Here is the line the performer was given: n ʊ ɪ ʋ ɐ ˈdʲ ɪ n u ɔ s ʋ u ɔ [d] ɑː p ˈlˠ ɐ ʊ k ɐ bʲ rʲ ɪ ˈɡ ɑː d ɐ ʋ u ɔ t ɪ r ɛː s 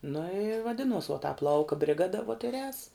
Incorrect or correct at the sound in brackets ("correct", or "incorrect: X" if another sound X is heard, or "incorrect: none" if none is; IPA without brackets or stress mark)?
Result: incorrect: t